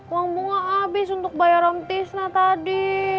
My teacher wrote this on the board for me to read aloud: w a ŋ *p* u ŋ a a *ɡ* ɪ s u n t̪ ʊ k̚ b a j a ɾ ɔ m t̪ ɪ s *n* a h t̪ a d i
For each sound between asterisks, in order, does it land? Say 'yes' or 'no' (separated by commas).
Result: no, no, yes